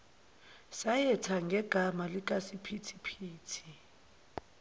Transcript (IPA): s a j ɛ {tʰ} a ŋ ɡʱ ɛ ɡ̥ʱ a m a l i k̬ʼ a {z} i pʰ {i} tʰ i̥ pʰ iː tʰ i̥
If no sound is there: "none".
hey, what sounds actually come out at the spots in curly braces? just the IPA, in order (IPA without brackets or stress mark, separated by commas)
tʰ, s, i